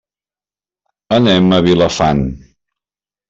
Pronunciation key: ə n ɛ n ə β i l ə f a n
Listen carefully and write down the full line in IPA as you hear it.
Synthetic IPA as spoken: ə n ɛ m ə β i l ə f a n